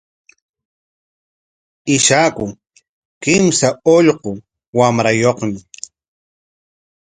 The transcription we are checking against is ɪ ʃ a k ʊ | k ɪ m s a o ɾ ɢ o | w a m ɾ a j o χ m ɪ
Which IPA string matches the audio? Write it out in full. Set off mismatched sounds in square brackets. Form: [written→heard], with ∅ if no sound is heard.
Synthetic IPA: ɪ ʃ a k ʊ | k ɪ m s a o [ɾ→ʎ] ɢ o | w a m ɾ a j o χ m ɪ